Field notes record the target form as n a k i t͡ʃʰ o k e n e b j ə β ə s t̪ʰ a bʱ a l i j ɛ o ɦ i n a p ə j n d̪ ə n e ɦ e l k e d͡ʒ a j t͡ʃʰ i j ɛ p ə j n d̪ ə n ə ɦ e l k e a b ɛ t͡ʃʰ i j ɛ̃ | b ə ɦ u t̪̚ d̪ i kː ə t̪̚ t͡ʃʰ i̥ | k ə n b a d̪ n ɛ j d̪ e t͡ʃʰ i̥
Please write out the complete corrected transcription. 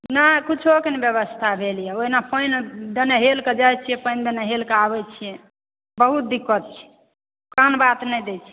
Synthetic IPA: n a k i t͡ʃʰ o k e n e b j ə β ə s t̪ʰ a bʱ e l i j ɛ o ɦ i n a p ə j n d̪ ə n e ɦ e l k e d͡ʒ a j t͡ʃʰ i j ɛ p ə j n d̪ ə n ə ɦ e l k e a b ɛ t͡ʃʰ i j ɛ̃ | b ə ɦ u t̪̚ d̪ i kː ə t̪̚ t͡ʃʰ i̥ | k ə n b a t̪ n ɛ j d̪ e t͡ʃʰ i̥

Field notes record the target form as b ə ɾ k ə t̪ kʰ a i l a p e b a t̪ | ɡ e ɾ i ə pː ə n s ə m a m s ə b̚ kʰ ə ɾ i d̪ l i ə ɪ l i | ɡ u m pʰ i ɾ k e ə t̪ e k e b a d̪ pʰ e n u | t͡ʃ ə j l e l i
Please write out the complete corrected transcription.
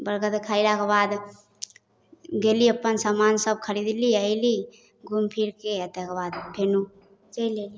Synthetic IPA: b ə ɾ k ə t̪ kʰ a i l a k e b a d̪ | ɡ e l i ə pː ə n s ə m a n s ə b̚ kʰ ə ɾ i d̪ l i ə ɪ l i | ɡ u m pʰ i ɾ k e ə t̪ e k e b a d̪ pʰ e n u | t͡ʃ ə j l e l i

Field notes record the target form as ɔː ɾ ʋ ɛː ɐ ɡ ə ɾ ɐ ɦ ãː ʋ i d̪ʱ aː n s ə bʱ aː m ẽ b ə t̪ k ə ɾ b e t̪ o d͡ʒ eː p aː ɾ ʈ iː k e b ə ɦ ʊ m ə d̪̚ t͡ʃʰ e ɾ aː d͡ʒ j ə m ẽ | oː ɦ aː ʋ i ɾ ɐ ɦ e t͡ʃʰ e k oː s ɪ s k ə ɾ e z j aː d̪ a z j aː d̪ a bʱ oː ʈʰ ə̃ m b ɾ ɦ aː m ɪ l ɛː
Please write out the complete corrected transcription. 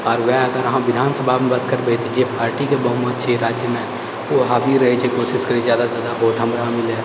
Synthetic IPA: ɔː ɾ ʋ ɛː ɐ ɡ ə ɾ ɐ ɦ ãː ʋ ɪ d̪ʱ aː n s ə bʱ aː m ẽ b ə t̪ k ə ɾ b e t̪ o d͡ʒ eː p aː ɾ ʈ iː k e b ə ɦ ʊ m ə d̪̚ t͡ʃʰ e ɾ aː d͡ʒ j ə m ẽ | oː ɦ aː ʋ i ɾ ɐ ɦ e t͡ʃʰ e k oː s ɪ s k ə ɾ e z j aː d̪ a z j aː d̪ a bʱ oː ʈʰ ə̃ m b ɾ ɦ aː m ɪ l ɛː

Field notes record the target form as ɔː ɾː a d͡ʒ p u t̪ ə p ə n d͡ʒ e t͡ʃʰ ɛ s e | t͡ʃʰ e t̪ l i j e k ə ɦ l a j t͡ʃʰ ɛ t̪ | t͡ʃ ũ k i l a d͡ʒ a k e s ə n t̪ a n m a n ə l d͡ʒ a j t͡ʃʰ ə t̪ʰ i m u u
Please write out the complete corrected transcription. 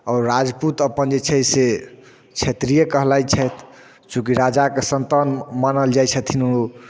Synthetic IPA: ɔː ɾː a d͡ʒ p u t̪ ə p ə n d͡ʒ e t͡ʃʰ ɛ s e | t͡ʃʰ e t̪ ɾ i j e k ə ɦ l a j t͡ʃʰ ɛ t̪ | t͡ʃ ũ k i ɾ a d͡ʒ a k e s ə n t̪ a n m a n ə l d͡ʒ a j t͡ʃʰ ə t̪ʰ i n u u

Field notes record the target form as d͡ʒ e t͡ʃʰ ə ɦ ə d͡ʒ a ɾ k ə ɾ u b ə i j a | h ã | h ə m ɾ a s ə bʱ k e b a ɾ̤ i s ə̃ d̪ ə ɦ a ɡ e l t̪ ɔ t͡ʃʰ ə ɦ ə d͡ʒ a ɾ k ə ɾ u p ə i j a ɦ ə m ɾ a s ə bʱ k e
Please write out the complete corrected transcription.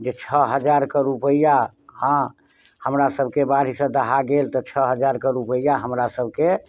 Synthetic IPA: d͡ʒ e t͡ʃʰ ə ɦ ə d͡ʒ a ɾ k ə ɾ u p ə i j a | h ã | h ə m ɾ a s ə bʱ k e b a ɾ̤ i s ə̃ d̪ ə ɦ a ɡ e l t̪ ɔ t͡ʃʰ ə ɦ ə d͡ʒ a ɾ k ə ɾ u p ə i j a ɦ ə m ɾ a s ə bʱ k e

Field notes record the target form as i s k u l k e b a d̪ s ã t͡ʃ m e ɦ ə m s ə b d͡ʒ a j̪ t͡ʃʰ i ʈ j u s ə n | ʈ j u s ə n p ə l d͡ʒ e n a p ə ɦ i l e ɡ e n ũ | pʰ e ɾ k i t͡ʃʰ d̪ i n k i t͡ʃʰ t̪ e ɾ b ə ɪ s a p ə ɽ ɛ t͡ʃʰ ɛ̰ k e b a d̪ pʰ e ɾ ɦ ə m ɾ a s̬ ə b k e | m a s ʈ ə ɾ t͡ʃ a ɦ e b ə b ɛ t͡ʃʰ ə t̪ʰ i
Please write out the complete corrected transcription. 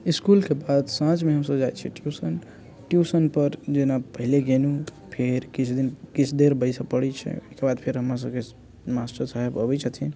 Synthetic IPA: i s k u l k e b a d̪ s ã t͡ʃ m e ɦ ə m s ə b d͡ʒ a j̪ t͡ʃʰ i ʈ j u s ə n | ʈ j u s ə n p ə ɾ d͡ʒ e n a p ə ɦ i l e ɡ e n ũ | pʰ e ɾ k i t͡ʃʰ d̪ i n k i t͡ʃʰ d̪ e ɾ b ə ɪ s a p ə ɽ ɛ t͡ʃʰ ɛ̰ k e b a d̪ pʰ e ɾ ɦ ə m ɾ a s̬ ə b k e | m a s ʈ ə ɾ t͡ʃ a ɦ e b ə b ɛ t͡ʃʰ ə t̪ʰ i

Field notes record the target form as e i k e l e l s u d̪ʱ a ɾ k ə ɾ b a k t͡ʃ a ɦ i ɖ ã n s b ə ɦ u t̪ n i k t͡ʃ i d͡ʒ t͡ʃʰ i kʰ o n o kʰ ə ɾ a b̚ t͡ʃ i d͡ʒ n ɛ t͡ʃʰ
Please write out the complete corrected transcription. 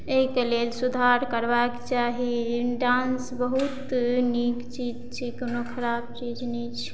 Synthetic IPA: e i k e l e l s u d̪ʱ a ɾ k ə ɾ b a k t͡ʃ a ɦ i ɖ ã n s b ə ɦ u t̪ n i k t͡ʃ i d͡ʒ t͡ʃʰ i k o n o kʰ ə ɾ a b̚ t͡ʃ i d͡ʒ n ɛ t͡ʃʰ

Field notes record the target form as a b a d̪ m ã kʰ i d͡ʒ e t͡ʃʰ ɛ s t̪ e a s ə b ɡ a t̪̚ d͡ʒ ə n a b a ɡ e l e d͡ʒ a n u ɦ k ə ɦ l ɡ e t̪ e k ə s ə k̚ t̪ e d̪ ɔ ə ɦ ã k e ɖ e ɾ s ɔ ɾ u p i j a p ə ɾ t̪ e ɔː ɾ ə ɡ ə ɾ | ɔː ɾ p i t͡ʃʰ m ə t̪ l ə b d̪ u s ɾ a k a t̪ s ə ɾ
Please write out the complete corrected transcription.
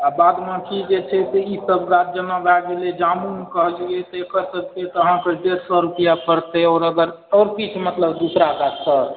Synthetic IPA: a b a d̪ m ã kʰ i d͡ʒ e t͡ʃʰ ɛ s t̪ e i s ə b ɡ a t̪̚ d͡ʒ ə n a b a ɡ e l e d͡ʒ a m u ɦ k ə ɦ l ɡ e t̪ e k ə s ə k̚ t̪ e t̪ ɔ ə ɦ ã k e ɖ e ɾ s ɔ ɾ u p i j a p ə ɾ t̪ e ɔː ɾ ə ɡ ə ɾ | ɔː ɾ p i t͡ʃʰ m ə t̪ l ə b d̪ u s ɾ a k a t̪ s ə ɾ

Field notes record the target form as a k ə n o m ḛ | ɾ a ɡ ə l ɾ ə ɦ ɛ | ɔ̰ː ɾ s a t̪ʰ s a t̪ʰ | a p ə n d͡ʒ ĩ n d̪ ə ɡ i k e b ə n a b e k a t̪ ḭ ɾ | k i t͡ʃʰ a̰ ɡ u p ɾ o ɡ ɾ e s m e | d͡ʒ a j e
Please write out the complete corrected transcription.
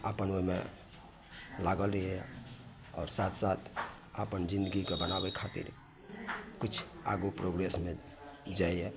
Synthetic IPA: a p ə n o m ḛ | l a ɡ ə l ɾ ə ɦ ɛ | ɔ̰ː ɾ s a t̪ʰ s a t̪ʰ | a p ə n d͡ʒ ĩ n d̪ ə ɡ i k e b ə n a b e kʰ a t̪ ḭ ɾ | k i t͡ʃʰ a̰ ɡ u p ɾ o ɡ ɾ e s m e | d͡ʒ a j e

